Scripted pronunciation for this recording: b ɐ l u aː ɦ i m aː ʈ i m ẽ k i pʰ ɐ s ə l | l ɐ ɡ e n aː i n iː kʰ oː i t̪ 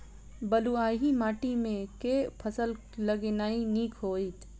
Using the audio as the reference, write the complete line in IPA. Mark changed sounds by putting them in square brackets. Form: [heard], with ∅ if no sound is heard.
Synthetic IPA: b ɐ l u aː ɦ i m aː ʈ i m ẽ k [e] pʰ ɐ s ə l | l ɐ ɡ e n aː i n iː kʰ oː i t̪